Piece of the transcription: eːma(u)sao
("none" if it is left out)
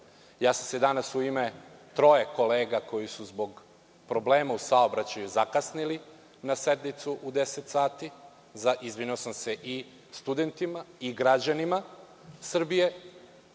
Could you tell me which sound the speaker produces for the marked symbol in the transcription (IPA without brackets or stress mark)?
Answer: u